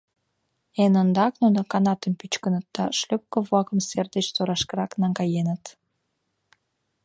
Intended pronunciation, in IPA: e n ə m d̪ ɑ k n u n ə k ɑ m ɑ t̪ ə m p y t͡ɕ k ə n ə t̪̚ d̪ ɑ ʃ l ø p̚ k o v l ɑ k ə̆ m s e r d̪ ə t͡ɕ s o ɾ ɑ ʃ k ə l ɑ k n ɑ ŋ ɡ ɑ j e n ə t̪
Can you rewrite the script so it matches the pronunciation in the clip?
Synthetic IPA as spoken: e n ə n d̪ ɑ k n u n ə k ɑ n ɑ t̪ ə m p y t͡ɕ k ə n ə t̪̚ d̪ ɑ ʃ l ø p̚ k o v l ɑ k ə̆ m s e r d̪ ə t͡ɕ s o ɾ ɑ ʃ k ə ɾ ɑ k n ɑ ŋ ɡ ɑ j e n ə t̪